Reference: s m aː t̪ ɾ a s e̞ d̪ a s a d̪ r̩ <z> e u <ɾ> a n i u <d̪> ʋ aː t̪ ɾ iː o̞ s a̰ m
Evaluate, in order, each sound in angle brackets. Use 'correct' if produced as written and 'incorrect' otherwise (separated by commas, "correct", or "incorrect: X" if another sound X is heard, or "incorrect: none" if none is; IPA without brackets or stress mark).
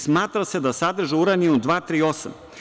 incorrect: ʒ, correct, correct